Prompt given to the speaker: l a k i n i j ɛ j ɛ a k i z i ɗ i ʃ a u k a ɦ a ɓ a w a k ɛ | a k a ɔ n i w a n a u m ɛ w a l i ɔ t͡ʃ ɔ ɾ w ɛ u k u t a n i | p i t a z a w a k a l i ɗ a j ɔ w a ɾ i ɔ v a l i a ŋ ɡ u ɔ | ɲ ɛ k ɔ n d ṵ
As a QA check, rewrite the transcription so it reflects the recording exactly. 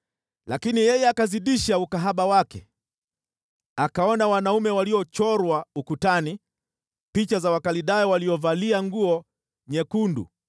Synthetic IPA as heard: l a k i n i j ɛ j ɛ a k a z i ɗ i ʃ a u k a ɦ a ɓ a w a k ɛ | a k a ɔ n a w a n a u m ɛ w a l i ɔ t͡ʃ ɔ ɾ w a u k u t a n i | p i t͡ʃ a z a w a k a l i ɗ a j ɔ w a l i ɔ v a l i a ŋ ɡ u ɔ | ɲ ɛ k u n d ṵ